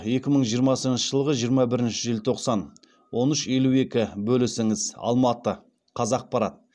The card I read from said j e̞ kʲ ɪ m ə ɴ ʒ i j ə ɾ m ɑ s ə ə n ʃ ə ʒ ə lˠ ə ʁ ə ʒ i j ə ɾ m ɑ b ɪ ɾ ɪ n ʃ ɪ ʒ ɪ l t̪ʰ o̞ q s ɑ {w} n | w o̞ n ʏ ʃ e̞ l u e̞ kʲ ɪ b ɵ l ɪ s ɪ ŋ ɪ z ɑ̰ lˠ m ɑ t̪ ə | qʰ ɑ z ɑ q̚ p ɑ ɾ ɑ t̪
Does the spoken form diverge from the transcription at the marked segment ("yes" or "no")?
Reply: yes